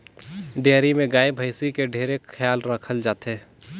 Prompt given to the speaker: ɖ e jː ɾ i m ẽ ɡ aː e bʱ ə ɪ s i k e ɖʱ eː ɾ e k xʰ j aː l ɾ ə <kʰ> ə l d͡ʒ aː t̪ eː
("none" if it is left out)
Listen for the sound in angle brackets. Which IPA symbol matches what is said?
kʰ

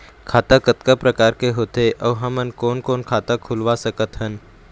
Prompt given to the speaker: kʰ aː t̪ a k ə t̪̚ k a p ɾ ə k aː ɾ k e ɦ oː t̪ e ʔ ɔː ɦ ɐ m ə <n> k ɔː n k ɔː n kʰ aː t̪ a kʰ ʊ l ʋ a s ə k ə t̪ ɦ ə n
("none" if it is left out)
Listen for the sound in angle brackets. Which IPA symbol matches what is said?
n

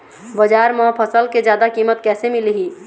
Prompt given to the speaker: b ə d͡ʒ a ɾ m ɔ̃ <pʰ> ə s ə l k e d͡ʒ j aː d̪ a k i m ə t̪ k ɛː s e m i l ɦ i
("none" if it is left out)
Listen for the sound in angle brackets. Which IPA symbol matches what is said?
pʰ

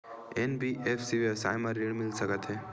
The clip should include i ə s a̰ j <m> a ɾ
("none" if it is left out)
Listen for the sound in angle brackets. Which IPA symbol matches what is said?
m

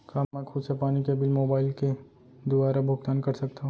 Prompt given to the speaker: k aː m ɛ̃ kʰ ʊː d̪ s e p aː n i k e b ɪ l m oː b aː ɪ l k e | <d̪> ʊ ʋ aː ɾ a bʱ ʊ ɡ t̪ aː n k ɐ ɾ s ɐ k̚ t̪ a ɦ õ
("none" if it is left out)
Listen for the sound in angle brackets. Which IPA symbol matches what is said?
d̪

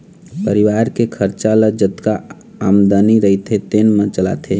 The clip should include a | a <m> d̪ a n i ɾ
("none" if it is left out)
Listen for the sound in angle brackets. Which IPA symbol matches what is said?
m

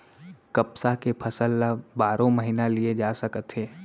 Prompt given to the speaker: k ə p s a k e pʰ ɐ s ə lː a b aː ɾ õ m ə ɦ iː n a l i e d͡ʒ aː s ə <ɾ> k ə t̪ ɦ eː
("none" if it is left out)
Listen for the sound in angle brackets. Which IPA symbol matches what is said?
none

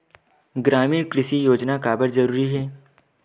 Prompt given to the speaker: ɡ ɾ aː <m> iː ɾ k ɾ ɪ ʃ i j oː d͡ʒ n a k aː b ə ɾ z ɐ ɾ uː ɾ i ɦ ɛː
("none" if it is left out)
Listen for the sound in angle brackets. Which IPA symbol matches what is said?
m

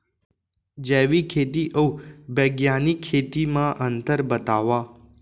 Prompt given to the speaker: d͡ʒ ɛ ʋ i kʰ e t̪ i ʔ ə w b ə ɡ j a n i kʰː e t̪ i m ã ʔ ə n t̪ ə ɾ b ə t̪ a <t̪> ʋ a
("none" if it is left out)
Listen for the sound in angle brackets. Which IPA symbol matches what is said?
none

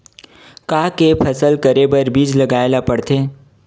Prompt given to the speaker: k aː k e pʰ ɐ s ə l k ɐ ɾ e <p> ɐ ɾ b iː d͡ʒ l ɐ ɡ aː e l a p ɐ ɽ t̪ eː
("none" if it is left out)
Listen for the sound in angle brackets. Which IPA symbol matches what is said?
b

